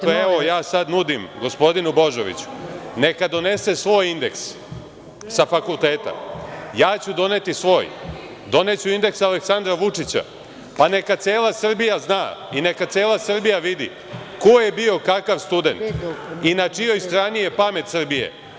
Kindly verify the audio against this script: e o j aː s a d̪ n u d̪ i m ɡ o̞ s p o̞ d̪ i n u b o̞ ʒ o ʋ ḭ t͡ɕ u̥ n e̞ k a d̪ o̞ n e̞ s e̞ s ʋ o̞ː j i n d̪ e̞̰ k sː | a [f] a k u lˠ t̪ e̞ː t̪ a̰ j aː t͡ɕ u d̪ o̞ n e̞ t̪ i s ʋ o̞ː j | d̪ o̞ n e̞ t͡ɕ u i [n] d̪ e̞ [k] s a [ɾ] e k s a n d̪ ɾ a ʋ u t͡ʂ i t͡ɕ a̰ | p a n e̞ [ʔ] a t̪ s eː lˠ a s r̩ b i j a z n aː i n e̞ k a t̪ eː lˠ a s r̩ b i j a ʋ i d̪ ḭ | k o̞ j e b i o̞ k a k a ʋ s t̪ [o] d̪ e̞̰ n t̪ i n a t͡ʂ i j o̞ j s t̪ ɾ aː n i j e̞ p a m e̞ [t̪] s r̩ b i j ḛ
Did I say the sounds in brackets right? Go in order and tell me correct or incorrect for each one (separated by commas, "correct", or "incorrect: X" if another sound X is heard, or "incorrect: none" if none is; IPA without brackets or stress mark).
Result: correct, correct, correct, incorrect: l, incorrect: k, incorrect: u, correct